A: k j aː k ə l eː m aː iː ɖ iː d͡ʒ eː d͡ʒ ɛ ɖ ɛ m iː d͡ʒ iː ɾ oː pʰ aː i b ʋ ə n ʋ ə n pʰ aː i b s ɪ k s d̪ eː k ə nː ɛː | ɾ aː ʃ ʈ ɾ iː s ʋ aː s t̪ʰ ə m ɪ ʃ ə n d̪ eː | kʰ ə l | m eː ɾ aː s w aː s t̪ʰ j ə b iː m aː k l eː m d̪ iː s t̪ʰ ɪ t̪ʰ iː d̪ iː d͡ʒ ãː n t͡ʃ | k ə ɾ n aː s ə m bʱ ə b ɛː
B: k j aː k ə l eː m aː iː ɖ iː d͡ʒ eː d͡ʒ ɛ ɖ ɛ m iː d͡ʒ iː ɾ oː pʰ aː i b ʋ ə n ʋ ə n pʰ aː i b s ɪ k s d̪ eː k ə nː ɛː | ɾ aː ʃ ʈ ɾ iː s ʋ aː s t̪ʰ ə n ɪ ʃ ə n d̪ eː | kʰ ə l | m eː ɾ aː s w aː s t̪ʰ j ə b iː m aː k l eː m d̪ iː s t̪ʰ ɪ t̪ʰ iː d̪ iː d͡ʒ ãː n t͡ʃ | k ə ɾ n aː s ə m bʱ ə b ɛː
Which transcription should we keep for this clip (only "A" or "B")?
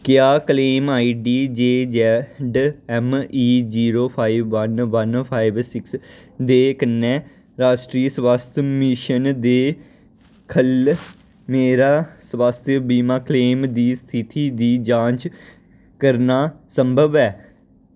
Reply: A